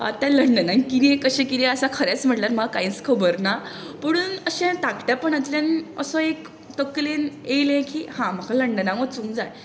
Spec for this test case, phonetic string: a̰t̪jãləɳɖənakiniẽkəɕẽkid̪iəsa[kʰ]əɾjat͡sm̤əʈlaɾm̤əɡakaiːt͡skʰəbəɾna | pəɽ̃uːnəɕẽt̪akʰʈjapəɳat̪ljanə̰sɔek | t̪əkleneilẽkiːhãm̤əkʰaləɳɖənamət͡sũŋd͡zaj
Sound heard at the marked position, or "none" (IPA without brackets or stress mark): kʰ